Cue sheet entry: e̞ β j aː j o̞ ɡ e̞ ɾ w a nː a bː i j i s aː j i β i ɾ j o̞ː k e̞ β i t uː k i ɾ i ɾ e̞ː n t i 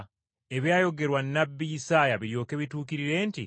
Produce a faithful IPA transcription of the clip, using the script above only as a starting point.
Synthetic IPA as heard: e̞ β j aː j o̞ ɡ e̞ ɾ w a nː a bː i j i s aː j a β i ɾ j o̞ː k e̞ β i t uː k i ɾ i ɾ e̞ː n t i

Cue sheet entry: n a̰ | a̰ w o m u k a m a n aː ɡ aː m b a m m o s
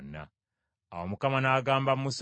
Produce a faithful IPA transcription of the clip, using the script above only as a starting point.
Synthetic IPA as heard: n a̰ | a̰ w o m u k a m a n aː ɡ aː m b a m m u s

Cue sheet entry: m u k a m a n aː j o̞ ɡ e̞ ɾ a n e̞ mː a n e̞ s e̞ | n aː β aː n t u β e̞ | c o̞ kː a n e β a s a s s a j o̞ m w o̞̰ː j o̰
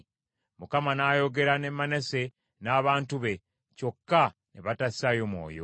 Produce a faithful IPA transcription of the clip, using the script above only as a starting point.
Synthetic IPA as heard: m u k a m a n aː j o̞ ɡ e̞ ɾ a n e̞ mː a n e̞ s e̞ | n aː β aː n t u β e̞ | c o̞ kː a n e β a t a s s a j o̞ m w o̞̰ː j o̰

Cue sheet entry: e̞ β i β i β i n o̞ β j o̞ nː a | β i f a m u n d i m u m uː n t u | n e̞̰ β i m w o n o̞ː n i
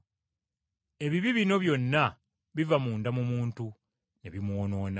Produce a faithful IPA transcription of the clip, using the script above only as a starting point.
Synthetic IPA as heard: e̞ β i β i β i n o̞ β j o̞ nː a | β i v a m uː n d a m u m uː n t u | n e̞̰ β i m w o n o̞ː n a

